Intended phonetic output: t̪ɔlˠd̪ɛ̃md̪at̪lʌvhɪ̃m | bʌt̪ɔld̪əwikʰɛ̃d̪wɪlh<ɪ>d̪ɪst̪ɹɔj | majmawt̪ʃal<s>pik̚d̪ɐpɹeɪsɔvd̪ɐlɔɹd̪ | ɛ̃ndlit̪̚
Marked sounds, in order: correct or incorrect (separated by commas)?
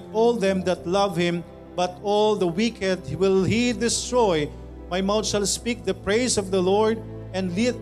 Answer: incorrect, correct